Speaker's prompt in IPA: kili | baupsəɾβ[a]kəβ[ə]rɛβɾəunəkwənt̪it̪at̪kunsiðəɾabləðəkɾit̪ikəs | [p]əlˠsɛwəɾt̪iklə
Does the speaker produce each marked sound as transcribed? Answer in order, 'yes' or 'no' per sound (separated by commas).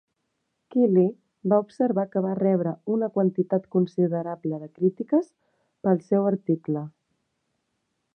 yes, no, yes